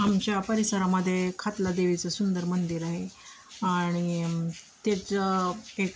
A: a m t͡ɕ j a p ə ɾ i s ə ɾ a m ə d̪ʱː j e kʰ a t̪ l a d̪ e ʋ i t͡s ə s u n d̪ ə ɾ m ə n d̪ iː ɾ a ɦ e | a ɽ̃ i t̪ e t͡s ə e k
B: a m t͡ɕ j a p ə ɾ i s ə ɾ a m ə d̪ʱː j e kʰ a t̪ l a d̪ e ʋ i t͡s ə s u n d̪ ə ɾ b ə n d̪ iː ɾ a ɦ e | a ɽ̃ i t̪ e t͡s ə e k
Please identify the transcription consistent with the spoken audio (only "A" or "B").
A